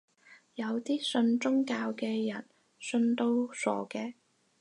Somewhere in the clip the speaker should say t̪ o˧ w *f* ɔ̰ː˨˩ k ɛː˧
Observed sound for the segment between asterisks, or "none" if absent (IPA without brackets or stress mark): s